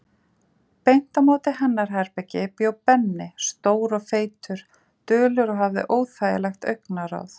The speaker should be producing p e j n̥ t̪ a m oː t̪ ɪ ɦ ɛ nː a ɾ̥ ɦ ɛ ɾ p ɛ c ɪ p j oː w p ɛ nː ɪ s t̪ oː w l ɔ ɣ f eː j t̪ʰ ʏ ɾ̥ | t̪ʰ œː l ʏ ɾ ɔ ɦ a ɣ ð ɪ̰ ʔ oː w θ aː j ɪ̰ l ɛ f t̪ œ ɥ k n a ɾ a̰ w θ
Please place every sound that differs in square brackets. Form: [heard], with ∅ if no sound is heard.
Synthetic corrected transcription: p e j n̥ t̪ a m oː t̪ ɪ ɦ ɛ nː a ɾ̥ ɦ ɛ ɾ p ɛ c ɪ p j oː w p ɛ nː ɪ s t̪ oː w [ɾ] ɔ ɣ f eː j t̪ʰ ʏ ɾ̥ | [t̪] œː l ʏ ɾ ɔ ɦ a [v] ð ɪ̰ ʔ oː w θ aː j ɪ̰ l ɛ [x] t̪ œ ɥ k n a ɾ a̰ w θ

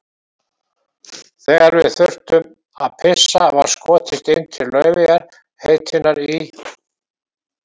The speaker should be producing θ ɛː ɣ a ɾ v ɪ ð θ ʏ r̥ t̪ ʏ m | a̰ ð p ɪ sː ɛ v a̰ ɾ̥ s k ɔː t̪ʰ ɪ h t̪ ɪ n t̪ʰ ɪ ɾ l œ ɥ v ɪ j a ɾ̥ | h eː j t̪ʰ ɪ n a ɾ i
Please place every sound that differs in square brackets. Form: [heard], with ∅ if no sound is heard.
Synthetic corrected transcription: θ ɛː ɣ a ɾ v ɪ ð θ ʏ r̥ t̪ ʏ m | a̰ ð [pʰ] ɪ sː [a] v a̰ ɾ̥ s k ɔː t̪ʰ ɪ [s] t̪ ɪ n t̪ʰ ɪ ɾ l œ ɥ v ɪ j a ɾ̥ | h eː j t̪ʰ ɪ n a ɾ i

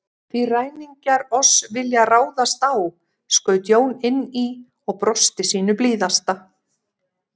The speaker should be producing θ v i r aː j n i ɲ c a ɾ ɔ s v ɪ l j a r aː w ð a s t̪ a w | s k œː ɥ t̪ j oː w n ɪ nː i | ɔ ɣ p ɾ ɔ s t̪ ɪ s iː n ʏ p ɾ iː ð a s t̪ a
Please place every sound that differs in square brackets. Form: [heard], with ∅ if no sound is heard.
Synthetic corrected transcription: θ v i r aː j n i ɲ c a ɾ ɔ s v ɪ l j a r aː w ð a s t̪ a w | s k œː ɥ t̪ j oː w n ɪ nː i | ɔ ɣ p ɾ ɔ s t̪ ɪ s iː n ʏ p [l] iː ð a s t̪ a

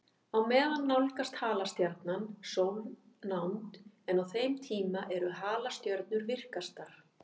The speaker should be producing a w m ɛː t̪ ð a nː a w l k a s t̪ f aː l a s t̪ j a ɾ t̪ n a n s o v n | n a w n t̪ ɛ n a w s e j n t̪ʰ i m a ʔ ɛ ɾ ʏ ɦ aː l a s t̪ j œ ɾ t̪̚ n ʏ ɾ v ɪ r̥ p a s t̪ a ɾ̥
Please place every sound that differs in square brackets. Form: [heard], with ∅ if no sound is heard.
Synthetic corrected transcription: a w m ɛː [∅] ð a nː a w l k a s t̪ [h] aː l a s t̪ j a ɾ t̪ n a n s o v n | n a w n t̪ ɛ n a w [θ] e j [m] t̪ʰ [iː] m a ʔ ɛ ɾ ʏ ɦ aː l a s t̪ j œ ɾ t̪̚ n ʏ ɾ v ɪ r̥ [k] a s t̪ a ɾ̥

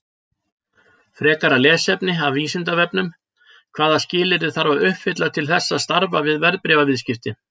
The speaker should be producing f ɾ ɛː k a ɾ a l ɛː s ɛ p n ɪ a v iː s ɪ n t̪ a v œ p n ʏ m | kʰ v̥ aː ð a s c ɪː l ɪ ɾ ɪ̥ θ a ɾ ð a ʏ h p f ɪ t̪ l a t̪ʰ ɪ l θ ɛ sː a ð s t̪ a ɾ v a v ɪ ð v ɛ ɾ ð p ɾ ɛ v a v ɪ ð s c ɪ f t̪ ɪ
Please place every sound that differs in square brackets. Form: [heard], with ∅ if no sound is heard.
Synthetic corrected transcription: f ɾ ɛː k a ɾ a l ɛː s ɛ p n ɪ a v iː s ɪ n t̪ a v [ɛ] p n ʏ m | kʰ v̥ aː ð a s c ɪː l ɪ ɾ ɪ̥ θ a ɾ [v] a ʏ h p f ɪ t̪ l a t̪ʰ ɪ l θ ɛ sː a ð s t̪ a ɾ v a v ɪ ð v ɛ ɾ ð p ɾ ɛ v a v ɪ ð s c ɪ f t̪ ɪ

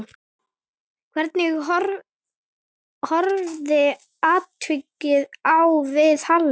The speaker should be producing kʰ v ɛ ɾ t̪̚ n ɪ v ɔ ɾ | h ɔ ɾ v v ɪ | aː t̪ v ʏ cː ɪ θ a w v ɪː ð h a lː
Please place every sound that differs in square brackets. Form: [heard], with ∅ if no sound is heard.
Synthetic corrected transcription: kʰ v ɛ ɾ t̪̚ n ɪ [ɣ] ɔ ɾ | h ɔ ɾ v [ð] ɪ | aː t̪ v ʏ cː ɪ [ð] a w v [ɪ] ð h a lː

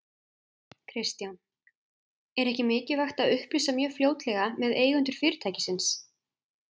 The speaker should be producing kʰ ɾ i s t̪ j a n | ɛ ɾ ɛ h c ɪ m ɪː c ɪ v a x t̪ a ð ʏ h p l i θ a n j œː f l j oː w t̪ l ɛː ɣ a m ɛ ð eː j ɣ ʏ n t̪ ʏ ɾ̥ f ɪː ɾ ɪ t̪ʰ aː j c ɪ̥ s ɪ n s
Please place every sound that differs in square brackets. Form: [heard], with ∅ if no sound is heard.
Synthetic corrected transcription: kʰ ɾ [ɪ] s t̪ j a n | ɛ ɾ ɛ h c ɪ m ɪː c ɪ v a x t̪ a ð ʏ h p l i [s] a [m] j œː f l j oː w t̪ l [ɛ] ɣ a m ɛ ð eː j ɣ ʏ n t̪ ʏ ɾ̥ f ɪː ɾ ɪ t̪ʰ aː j c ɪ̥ s ɪ n s

